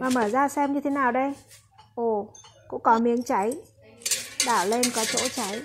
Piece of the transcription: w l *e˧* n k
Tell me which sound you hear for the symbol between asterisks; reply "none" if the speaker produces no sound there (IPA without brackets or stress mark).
e˧